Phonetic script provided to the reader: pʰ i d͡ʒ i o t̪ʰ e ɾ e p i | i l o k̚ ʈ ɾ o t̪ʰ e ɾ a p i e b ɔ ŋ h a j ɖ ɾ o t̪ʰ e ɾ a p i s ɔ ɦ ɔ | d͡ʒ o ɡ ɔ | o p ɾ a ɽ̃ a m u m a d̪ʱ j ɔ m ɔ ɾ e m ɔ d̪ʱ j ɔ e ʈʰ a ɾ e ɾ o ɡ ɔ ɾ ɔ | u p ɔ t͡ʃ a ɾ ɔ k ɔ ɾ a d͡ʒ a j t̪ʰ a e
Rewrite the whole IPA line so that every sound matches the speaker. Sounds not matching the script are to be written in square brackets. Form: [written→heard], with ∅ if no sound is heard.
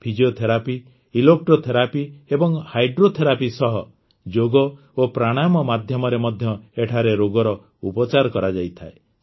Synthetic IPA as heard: pʰ i d͡ʒ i o t̪ʰ e ɾ [e→a] p i | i l o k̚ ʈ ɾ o t̪ʰ e ɾ a p i e b ɔ ŋ h a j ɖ ɾ o t̪ʰ e ɾ a p i s ɔ ɦ ɔ | d͡ʒ o ɡ ɔ | o p ɾ a ɽ̃ a m [u→ɔ] m a d̪ʱ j ɔ m ɔ ɾ e m ɔ d̪ʱ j ɔ e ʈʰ a ɾ e ɾ o ɡ ɔ ɾ ɔ | u p ɔ t͡ʃ a ɾ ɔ k ɔ ɾ a d͡ʒ a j t̪ʰ a e